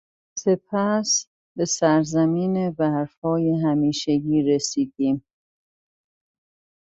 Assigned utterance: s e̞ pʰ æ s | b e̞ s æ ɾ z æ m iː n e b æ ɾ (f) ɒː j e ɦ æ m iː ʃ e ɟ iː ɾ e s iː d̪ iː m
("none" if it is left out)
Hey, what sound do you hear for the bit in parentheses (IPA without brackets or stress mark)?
f